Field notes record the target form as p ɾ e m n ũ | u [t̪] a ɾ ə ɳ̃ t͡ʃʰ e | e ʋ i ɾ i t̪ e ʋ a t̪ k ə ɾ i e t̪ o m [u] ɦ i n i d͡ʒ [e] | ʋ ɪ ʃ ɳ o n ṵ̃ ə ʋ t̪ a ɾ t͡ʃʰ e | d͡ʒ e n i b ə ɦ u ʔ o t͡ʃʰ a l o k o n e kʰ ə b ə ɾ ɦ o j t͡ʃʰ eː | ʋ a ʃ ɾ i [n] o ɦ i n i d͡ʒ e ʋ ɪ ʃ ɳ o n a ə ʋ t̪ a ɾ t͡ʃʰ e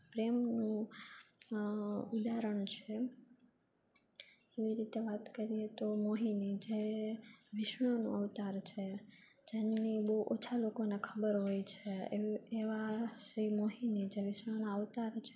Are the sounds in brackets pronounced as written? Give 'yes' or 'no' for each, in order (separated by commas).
no, no, yes, no